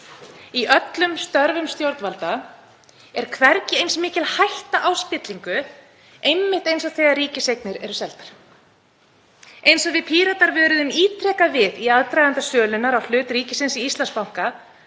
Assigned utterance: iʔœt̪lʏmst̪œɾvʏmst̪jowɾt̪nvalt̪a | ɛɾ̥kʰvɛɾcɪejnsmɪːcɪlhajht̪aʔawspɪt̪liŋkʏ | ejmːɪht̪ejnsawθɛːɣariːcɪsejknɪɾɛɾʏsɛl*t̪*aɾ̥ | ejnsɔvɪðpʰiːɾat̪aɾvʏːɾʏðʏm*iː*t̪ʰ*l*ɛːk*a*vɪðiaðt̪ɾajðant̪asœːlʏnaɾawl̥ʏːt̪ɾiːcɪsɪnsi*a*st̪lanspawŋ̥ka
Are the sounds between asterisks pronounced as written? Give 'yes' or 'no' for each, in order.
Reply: yes, yes, no, yes, no

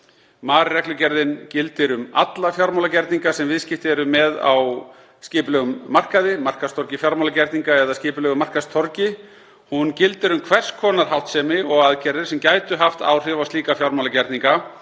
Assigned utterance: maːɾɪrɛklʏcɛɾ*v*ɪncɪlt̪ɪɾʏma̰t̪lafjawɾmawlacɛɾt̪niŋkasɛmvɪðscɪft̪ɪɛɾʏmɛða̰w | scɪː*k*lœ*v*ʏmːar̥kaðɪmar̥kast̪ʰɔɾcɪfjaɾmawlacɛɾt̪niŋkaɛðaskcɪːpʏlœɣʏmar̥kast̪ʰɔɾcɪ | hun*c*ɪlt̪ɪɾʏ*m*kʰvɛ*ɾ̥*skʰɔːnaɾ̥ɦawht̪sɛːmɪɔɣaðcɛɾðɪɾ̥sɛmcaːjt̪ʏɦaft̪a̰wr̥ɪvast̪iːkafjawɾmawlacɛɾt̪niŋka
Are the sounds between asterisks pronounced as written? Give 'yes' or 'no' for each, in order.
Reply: no, no, no, yes, yes, no

